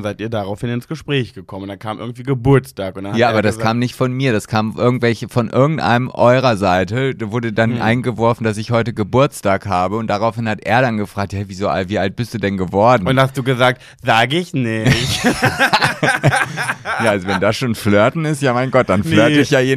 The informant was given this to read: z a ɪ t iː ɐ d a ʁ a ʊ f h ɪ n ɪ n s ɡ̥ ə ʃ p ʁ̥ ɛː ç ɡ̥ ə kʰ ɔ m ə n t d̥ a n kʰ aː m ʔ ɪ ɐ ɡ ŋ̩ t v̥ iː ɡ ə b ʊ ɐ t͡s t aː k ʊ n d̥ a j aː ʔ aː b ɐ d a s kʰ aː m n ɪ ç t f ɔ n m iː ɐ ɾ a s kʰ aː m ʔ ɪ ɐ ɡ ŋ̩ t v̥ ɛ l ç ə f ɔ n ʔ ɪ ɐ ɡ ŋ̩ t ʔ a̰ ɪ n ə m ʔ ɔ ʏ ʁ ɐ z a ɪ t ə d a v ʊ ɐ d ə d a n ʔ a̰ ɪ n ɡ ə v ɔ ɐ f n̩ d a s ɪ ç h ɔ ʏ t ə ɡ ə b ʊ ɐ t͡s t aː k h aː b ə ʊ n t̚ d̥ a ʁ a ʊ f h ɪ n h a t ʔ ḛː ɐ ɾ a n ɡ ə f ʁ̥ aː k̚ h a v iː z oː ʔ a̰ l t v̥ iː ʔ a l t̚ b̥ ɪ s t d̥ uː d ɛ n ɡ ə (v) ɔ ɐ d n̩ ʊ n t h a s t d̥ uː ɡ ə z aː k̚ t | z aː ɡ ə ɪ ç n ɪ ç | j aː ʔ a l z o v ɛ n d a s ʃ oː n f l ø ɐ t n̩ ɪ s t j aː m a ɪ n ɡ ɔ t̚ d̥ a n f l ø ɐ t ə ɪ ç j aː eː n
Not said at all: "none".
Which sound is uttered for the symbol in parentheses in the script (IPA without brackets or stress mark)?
v